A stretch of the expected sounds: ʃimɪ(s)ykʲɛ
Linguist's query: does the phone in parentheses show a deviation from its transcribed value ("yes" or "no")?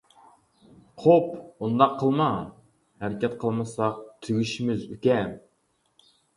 yes